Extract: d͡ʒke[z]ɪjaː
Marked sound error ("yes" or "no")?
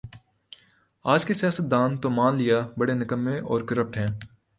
yes